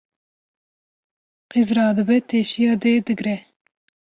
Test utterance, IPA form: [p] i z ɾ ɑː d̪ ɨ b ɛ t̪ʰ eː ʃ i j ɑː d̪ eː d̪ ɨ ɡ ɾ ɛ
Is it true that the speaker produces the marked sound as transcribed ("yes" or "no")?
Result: no